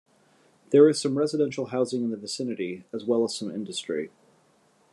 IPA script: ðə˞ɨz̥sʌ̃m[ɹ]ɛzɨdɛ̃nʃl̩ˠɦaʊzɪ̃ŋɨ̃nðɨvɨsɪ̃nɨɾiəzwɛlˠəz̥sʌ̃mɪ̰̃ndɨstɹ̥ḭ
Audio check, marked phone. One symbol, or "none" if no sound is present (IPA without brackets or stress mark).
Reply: ɹ